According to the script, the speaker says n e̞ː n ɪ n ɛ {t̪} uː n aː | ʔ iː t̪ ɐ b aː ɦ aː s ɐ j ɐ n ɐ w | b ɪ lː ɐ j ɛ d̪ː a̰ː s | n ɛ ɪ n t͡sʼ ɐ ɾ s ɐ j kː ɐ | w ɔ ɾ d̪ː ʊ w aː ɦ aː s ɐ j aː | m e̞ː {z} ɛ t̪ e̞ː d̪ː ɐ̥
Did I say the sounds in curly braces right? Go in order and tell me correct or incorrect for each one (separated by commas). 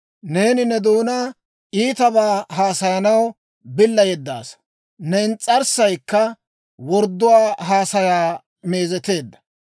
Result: incorrect, correct